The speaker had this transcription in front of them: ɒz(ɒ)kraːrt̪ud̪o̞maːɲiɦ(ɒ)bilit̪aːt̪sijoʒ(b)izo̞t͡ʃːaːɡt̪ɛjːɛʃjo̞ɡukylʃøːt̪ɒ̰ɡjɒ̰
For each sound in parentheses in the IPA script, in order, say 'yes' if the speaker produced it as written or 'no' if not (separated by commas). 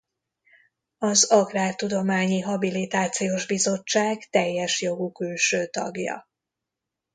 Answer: yes, yes, yes